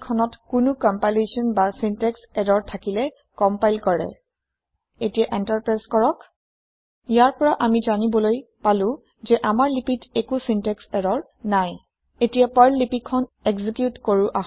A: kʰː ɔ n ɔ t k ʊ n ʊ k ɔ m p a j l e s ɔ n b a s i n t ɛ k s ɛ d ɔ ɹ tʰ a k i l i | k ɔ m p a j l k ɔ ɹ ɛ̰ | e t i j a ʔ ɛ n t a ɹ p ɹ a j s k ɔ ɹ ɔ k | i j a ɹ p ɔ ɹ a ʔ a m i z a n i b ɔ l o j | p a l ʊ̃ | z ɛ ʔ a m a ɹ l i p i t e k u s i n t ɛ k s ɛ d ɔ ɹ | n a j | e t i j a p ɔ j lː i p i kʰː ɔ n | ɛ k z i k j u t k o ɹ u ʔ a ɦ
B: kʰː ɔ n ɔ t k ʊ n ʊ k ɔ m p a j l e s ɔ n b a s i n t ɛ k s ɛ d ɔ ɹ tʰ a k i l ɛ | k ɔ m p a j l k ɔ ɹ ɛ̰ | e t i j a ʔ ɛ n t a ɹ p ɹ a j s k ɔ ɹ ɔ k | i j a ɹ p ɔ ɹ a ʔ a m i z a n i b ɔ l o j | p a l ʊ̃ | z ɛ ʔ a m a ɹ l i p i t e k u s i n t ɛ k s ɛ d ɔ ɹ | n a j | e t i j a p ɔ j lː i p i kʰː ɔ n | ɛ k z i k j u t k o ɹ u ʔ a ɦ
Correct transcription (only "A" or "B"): B